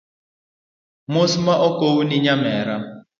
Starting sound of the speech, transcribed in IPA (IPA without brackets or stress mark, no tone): m